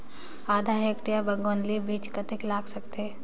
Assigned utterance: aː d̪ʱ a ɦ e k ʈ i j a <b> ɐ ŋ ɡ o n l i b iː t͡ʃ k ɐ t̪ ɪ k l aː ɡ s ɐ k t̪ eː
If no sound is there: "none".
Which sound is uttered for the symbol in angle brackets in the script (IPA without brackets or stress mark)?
b